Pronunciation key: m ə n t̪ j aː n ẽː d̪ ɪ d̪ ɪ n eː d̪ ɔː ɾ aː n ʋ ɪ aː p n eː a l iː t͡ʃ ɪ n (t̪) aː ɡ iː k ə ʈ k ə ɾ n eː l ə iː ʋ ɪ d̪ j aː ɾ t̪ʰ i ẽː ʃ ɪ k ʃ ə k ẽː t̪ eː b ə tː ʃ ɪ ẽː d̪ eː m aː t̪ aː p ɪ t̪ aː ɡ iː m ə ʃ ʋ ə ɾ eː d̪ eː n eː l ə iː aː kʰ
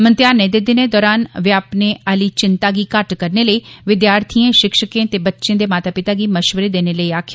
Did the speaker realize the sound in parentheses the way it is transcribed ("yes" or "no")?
yes